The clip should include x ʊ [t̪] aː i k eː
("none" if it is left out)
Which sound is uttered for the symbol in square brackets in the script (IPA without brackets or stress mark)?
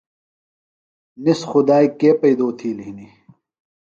d̪